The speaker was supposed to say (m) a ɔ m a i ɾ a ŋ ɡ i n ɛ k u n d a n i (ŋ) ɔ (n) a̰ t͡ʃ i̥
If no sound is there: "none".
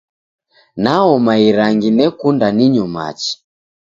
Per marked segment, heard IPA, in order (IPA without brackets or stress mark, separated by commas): n, ɲ, m